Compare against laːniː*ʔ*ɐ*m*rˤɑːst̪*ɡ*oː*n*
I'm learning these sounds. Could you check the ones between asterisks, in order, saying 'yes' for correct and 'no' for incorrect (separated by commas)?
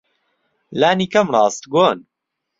no, yes, yes, yes